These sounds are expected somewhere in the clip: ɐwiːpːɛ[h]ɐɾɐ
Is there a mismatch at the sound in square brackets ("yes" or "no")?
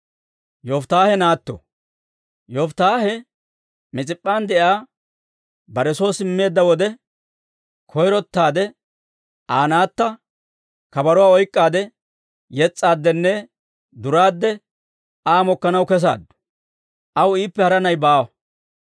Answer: no